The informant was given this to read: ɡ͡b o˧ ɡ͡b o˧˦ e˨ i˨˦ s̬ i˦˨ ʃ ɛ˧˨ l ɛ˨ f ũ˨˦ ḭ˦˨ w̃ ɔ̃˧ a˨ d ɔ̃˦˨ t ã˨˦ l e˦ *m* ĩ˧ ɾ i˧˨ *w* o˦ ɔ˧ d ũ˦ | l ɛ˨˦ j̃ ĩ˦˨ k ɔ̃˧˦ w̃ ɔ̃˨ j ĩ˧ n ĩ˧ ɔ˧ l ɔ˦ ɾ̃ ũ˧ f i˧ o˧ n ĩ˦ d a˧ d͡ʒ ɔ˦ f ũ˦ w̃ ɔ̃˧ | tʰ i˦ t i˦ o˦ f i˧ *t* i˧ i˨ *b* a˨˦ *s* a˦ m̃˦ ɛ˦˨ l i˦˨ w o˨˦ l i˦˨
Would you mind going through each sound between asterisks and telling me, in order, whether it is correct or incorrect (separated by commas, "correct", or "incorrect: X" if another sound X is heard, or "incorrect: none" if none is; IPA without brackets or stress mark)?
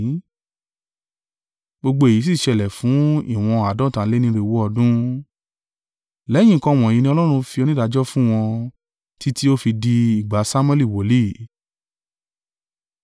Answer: incorrect: n, correct, incorrect: d, incorrect: ɡ͡b, correct